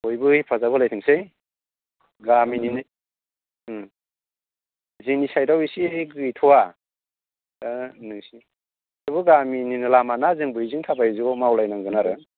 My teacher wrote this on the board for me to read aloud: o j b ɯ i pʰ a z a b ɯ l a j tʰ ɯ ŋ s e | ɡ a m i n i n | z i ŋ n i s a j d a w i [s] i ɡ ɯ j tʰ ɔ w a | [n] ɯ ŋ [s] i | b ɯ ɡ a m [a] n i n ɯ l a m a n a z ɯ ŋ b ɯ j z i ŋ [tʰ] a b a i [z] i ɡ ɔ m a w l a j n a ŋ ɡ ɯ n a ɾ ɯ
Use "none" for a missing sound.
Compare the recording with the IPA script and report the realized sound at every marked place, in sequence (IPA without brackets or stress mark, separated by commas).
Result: s, n, s, i, tʰ, z